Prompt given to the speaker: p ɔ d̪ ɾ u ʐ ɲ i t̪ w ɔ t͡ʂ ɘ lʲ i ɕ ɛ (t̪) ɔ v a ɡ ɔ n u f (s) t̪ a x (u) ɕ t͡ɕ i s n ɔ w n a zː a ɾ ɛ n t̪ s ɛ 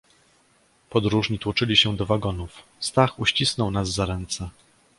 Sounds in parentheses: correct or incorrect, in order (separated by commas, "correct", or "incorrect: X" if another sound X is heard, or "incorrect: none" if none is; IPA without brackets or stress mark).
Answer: incorrect: d̪, correct, correct